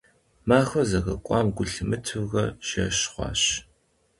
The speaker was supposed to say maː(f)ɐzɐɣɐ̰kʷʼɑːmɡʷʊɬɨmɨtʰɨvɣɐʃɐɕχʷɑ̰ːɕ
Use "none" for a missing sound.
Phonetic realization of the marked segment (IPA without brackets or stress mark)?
x